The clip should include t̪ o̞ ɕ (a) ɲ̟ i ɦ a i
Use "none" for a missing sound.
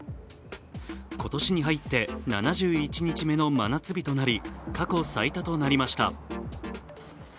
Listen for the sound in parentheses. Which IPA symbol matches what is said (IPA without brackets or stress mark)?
i